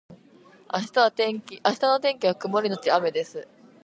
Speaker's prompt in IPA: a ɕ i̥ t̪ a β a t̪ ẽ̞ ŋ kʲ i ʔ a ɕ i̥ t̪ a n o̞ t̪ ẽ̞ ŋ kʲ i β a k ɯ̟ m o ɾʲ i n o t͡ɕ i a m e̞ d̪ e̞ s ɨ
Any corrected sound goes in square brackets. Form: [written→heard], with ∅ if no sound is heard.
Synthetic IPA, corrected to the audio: a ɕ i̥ t̪ a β a t̪ ẽ̞ ŋ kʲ i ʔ a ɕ i̥ t̪ a n o̞ t̪ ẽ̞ ŋ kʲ i β a k ɯ̟ m o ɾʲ i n o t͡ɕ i a m e̞ d̪ e̞ s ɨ